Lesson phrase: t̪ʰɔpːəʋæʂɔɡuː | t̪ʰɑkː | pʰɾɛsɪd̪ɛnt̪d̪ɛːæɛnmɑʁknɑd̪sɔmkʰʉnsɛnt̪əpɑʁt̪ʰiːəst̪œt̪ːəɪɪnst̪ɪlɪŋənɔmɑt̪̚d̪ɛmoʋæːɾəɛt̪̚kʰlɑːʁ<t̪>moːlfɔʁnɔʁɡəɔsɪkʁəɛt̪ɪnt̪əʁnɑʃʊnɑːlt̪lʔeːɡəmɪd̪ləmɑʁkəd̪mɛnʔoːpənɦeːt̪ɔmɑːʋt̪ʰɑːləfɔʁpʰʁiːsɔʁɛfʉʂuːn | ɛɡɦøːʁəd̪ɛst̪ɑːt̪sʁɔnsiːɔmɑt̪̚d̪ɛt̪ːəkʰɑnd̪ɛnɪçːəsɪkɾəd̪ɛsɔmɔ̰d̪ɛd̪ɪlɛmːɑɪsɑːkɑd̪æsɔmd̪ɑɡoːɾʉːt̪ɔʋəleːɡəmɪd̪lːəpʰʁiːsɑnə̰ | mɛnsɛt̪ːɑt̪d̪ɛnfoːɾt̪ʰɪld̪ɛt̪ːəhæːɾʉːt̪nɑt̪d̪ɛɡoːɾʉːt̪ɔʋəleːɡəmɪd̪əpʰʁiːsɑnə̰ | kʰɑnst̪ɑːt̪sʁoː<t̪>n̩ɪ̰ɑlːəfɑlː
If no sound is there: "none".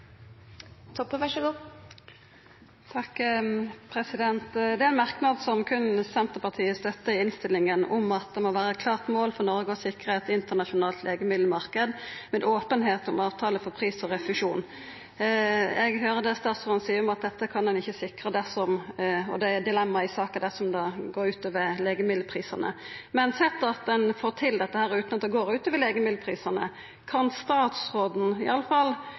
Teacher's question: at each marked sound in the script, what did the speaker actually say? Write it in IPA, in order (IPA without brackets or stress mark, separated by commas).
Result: t̪, d̪